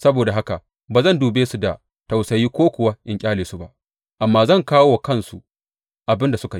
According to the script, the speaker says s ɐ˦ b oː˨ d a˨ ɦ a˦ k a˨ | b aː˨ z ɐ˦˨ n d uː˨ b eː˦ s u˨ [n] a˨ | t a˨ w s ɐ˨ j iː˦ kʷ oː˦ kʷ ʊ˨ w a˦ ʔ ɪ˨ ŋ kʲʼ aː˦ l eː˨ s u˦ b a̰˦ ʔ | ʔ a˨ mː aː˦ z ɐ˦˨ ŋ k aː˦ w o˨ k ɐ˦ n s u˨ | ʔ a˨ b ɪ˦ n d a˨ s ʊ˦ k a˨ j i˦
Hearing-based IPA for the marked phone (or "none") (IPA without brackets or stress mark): d